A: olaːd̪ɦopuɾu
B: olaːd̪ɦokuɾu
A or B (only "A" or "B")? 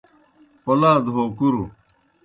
B